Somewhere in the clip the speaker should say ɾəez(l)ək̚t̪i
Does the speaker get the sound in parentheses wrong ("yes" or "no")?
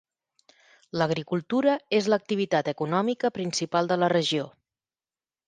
no